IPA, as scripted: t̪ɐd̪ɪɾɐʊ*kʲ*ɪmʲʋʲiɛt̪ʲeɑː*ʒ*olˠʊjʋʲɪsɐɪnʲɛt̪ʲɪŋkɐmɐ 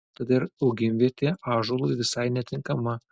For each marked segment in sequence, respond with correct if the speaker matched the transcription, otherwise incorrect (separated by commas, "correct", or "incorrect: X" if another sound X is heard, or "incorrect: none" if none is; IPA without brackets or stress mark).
incorrect: ɡʲ, correct